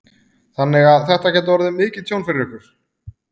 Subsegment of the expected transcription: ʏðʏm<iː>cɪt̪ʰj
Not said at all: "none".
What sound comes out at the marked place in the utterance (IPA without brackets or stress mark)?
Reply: ɪː